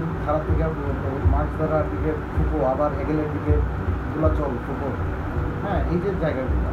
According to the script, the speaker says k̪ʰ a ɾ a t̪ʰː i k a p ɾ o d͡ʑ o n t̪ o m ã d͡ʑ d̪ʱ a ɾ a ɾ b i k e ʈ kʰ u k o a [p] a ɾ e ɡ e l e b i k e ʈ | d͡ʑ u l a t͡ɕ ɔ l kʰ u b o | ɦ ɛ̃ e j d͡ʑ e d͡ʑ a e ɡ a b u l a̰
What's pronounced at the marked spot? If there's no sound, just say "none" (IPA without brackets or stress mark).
b